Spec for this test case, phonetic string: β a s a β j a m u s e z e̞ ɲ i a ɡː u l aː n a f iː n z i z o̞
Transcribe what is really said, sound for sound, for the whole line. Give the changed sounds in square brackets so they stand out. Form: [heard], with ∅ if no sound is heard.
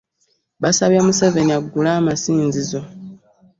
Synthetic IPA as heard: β a s a β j a m u s e [v] e̞ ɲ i a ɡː u l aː [m] a [s] iː n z i z o̞